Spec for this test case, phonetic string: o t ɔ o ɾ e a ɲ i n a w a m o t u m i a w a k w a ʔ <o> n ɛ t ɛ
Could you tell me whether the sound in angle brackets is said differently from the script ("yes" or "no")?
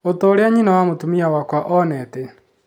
yes